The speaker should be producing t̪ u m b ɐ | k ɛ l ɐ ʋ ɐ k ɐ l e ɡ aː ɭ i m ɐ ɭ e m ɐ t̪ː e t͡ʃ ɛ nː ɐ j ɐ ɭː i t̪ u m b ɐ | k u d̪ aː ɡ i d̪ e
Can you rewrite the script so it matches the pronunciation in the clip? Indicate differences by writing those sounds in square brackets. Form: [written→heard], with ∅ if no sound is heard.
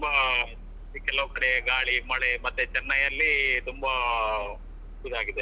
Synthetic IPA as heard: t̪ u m b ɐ | k ɛ l ɐ ʋ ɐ k ɐ [l→ɽ] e ɡ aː ɭ i m ɐ ɭ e m ɐ t̪ː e t͡ʃ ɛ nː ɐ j ɐ [ɭː→lː] i t̪ u m b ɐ | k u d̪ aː ɡ i d̪ e